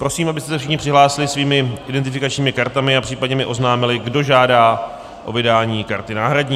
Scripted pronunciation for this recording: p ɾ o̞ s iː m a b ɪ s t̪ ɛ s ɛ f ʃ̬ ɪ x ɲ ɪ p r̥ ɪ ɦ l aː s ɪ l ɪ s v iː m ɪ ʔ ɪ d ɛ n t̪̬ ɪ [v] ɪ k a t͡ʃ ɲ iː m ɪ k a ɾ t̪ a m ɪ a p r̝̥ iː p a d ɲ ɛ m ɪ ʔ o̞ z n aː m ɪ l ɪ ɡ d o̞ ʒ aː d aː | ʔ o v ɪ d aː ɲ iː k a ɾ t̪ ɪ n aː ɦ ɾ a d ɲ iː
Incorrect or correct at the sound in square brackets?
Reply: incorrect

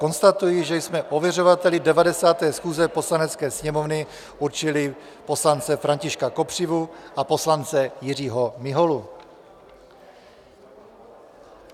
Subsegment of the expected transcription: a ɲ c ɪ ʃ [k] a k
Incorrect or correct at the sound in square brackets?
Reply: correct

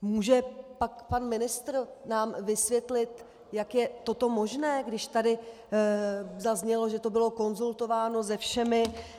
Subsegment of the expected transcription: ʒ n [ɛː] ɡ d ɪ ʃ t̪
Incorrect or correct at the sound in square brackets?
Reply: correct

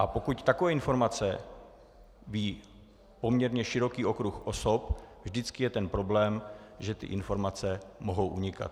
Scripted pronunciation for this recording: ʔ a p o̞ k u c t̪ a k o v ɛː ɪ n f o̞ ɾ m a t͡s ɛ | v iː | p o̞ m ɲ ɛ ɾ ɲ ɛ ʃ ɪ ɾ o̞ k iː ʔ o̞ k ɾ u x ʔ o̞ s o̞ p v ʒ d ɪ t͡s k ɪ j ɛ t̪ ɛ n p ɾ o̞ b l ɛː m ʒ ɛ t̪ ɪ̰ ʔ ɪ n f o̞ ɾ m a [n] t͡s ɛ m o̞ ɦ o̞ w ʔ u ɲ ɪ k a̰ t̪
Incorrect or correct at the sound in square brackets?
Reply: incorrect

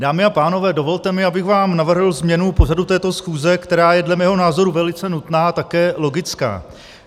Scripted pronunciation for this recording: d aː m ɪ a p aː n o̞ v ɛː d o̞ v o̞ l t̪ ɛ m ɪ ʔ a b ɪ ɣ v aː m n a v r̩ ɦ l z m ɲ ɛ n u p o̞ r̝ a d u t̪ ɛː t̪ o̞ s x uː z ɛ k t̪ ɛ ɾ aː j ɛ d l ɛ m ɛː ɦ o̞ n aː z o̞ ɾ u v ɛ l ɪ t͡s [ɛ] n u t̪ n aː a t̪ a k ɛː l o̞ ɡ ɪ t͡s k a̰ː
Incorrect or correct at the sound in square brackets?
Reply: correct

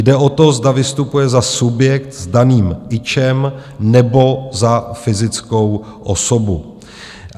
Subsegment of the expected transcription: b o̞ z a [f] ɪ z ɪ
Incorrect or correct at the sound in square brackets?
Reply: correct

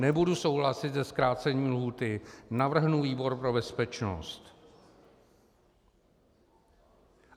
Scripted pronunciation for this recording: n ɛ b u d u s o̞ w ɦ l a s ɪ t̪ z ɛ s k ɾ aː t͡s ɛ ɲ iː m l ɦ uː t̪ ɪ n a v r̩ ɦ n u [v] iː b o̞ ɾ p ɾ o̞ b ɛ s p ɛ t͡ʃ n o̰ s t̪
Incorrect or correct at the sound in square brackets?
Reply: correct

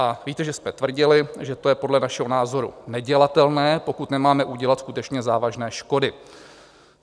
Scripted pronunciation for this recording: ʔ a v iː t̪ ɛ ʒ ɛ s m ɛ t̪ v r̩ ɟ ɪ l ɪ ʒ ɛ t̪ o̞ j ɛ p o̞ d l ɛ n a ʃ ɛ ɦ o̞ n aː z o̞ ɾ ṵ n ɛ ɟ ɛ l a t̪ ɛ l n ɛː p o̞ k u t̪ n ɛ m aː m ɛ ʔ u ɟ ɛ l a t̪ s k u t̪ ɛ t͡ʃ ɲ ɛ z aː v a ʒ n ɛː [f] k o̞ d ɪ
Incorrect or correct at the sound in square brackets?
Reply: incorrect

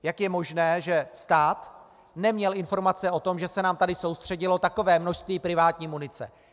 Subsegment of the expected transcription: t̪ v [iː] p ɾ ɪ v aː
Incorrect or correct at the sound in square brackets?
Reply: correct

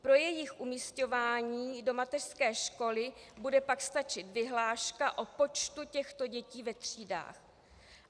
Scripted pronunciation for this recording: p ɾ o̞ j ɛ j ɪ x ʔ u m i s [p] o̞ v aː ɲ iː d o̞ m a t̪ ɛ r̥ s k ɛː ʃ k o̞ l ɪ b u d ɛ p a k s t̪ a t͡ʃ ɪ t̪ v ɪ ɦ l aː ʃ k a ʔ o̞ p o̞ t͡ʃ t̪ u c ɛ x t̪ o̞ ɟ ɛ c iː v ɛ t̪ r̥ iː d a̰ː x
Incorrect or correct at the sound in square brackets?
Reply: incorrect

